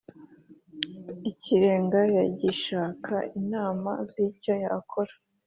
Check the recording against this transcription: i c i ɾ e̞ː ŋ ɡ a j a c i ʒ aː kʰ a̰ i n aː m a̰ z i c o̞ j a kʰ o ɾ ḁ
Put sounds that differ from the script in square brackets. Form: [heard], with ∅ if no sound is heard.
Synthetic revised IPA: i c i ɾ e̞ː ŋ ɡ a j a [ɟ] i [ʃ] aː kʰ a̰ i n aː m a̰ z i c o̞ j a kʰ o ɾ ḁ